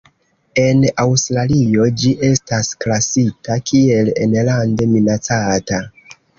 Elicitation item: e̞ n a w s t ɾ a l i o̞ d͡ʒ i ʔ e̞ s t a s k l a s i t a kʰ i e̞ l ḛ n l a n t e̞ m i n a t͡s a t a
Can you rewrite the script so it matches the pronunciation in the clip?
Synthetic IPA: e̞ n a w s t ɾ a l i o̞ d͡ʒ i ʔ e̞ s t a s k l a s i t a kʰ i e̞ l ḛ n l a n d e̞ m i n a t͡s a t a

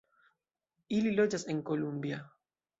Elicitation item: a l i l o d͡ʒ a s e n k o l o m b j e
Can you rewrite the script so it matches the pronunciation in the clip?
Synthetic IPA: i l i l o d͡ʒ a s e ŋ k o l u m b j a

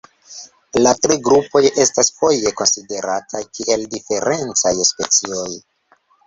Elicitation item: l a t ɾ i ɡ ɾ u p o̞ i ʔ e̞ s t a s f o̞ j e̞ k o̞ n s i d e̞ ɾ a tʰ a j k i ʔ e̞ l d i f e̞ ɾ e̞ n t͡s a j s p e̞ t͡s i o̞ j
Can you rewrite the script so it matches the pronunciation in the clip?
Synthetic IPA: l a t ɾ i ɡ ɾ u p o̞ j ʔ e̞ s t a s f o̞ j e̞ k o̞ n s i d e̞ ɾ a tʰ a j k i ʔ e̞ l d i f e̞ ɾ e̞ n t͡s a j s p e̞ t͡s i o̞ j

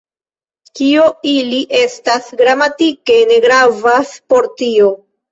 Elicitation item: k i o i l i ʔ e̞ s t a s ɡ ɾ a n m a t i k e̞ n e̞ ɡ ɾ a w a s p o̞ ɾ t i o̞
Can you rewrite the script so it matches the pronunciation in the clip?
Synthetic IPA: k i o i l i ʔ e̞ s t a s ɡ ɾ a m a t i k e̞ n e̞ ɡ ɾ a v a s p o̞ ɾ t i o̞

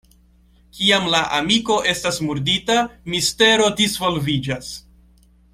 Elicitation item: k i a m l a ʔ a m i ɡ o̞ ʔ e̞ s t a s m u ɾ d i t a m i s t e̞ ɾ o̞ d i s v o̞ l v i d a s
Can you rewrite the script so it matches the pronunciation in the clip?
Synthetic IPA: k i a m l a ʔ a m i k o̞ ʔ e̞ s t a s m u ɾ d i t a m i s t e̞ ɾ o̞ d i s v o̞ l v i d͡ʒ a s

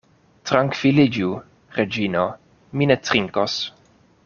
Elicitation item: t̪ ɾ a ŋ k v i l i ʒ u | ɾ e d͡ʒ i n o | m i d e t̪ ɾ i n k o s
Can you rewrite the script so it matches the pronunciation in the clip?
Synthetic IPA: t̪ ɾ a ŋ k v i l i d͡ʒ u | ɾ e d͡ʒ i n o | m i n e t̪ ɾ i ŋ k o s

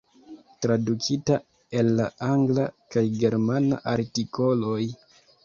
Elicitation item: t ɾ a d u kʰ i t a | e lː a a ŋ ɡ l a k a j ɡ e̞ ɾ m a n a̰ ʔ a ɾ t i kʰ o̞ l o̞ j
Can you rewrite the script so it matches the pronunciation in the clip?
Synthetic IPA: t ɾ a d u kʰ i t a | e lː a a ŋ ɡ l a k a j ɡ e̞ ɾ m a n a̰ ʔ a ɾ t i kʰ o̞ l o̞ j

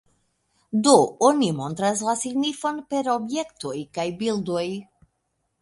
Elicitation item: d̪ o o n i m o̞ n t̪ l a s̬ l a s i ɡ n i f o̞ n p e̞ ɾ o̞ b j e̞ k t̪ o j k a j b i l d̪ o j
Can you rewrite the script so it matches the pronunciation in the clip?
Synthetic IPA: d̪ o o n i m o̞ n t̪ ɾ a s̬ l a s i ɡ n i f o̞ n p e̞ ɾ o̞ b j e̞ k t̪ o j k a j b i l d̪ o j

